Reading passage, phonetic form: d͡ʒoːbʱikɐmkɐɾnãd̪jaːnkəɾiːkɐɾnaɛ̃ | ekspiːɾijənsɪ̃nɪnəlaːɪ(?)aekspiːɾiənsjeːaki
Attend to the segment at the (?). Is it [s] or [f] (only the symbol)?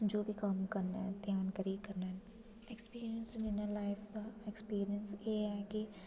f